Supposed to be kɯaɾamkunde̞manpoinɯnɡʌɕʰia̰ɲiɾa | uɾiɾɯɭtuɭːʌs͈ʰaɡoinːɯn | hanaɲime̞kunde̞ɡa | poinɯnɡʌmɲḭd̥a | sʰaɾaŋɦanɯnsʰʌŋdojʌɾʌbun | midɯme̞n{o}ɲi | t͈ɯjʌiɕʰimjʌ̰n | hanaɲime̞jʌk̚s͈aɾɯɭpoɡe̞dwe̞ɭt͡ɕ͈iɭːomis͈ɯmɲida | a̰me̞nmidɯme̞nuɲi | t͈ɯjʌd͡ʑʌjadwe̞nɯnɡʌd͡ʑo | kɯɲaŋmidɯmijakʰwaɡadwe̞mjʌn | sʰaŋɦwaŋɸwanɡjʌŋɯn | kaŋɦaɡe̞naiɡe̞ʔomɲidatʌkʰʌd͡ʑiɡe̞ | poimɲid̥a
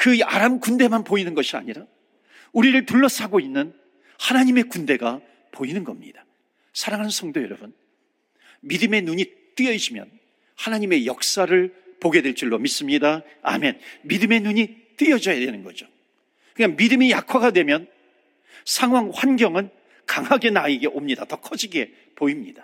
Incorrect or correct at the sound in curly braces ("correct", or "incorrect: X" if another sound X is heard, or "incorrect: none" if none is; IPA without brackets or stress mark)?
incorrect: u